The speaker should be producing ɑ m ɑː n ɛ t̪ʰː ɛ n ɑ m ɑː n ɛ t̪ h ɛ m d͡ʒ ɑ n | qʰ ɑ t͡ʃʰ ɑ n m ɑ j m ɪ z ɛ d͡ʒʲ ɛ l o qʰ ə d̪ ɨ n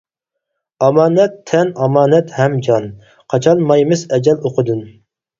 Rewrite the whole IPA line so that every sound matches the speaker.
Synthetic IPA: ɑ m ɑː n ɛ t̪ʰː ɛ n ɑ m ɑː n ɛ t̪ h ɛ m d͡ʒ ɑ n | qʰ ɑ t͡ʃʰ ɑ n m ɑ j m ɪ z ɛ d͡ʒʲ ɛ l o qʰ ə d̪ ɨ n